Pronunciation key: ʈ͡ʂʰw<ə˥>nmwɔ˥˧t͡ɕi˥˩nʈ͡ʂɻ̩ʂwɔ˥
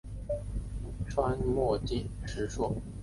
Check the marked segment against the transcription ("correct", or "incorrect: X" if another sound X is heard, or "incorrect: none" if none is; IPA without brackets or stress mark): incorrect: a˥